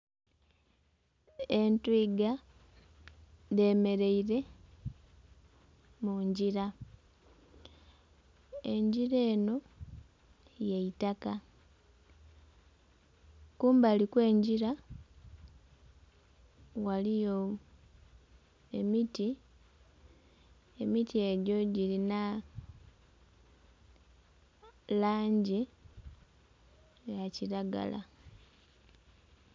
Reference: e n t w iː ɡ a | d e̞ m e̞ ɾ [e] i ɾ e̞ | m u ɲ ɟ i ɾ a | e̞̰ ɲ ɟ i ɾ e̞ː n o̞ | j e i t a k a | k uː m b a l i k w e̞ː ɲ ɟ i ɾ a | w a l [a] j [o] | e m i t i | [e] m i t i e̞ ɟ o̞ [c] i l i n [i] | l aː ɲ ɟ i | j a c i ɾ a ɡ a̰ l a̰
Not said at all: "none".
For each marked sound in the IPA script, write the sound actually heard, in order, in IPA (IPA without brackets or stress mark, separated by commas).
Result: e, i, o, e, ɟ, a